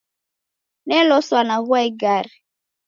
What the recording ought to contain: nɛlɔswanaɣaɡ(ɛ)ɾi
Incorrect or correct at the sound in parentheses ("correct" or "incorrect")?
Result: incorrect